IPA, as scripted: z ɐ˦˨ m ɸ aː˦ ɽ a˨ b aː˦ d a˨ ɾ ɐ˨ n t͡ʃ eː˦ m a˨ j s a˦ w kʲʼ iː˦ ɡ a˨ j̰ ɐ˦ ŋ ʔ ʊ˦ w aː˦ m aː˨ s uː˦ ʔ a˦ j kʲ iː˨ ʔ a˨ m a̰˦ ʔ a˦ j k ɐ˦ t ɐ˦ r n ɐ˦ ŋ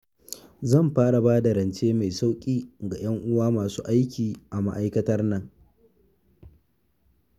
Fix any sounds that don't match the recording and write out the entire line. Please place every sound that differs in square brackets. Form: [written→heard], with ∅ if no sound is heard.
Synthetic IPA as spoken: z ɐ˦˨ m ɸ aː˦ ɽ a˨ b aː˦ d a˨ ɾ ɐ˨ n t͡ʃ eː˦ m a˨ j s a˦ w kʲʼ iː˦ ɡ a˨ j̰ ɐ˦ ŋ ʔ ʊ˦ w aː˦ m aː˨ s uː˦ ʔ a˦ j kʲ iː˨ ʔ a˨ m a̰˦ ʔ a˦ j k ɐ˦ t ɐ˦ r n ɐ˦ ŋ